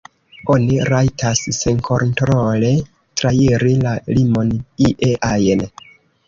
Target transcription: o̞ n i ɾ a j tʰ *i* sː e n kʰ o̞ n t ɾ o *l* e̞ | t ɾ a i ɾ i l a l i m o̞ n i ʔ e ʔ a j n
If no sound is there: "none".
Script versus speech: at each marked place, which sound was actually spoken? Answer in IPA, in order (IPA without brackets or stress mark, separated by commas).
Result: a, l